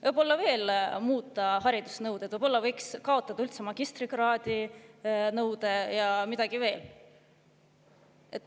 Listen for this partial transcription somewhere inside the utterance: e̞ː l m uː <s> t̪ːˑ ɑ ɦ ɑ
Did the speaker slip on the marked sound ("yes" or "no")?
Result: yes